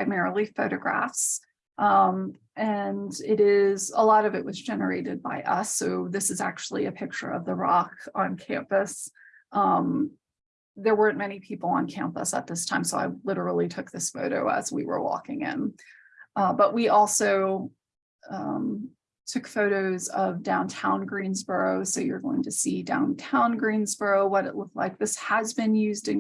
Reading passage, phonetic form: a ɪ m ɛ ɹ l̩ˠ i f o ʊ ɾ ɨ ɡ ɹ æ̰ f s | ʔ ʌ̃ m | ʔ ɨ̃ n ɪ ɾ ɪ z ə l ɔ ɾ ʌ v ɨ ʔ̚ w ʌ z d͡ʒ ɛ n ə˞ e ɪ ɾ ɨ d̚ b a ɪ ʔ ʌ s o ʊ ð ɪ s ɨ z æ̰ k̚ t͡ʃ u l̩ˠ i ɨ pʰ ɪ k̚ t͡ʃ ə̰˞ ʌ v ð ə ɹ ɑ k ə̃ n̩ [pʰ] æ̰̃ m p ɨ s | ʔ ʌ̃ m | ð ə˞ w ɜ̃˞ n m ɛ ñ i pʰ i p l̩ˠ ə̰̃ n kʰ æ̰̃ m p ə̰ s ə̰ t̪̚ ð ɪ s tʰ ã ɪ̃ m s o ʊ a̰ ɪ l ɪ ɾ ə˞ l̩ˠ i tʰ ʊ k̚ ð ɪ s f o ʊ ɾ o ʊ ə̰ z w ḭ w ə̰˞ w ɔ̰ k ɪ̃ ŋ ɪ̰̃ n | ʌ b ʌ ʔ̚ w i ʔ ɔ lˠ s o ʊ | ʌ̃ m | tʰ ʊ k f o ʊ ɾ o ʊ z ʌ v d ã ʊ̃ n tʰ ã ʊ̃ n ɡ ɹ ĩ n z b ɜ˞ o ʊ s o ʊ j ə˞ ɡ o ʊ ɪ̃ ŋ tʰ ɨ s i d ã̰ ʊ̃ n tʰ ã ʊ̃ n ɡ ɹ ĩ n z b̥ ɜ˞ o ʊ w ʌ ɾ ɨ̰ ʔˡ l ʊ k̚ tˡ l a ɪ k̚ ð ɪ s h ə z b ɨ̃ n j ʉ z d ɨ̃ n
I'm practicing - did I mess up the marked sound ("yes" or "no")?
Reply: yes